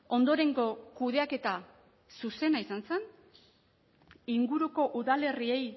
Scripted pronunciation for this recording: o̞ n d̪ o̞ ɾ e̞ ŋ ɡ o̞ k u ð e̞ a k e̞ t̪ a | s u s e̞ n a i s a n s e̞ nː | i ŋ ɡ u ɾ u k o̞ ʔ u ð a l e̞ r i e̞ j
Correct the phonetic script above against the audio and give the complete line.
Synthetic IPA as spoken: o̞ n d̪ o̞ ɾ e̞ ŋ ɡ o̞ k u ð e̞ a k e̞ t̪ a | s u s e̞ n a i s a n s e̞ n | i ŋ ɡ u ɾ u k o̞ ʔ u ð a l e̞ r i e̞ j